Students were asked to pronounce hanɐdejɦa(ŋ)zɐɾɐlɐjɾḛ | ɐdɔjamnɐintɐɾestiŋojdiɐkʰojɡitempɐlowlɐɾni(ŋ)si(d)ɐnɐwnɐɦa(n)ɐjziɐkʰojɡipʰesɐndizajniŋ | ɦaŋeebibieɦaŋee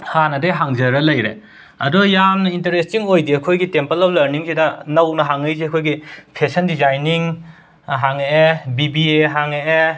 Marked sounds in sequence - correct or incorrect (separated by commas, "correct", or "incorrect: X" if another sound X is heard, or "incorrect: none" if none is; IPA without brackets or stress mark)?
correct, correct, correct, incorrect: ŋ